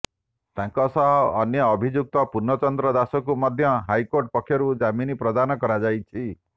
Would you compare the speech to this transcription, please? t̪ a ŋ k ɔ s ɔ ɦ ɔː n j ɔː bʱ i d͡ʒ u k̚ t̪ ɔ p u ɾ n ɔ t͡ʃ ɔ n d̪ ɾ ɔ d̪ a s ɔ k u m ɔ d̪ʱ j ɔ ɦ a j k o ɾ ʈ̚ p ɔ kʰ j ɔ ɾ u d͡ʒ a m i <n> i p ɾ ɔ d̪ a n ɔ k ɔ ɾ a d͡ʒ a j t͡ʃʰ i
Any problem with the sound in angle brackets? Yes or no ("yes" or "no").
no